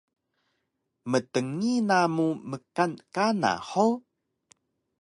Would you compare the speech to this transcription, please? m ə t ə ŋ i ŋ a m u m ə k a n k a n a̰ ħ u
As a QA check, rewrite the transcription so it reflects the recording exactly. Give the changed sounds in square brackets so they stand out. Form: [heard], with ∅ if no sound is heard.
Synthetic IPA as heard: m ə t ə ŋ i [n] a m u m ə k a n k a n a̰ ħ [o]